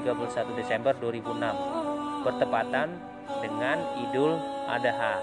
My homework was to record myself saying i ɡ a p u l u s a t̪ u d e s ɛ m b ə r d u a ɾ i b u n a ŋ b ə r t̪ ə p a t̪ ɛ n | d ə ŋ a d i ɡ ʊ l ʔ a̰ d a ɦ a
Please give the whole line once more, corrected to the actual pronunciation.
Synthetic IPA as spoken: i ɡ a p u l u s a t̪ u d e s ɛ m b ə r d u a ɾ i b u n a m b ə r t̪ ə p a t̪ a n | d ə ŋ a n i d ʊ l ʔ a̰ d a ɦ a